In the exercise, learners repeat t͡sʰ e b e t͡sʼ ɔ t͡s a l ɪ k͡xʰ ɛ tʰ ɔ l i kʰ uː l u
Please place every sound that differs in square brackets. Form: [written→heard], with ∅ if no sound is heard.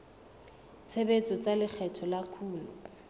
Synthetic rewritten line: t͡sʰ e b e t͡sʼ ɔ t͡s a l ɪ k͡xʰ ɛ tʰ ɔ l [i→a] kʰ uː l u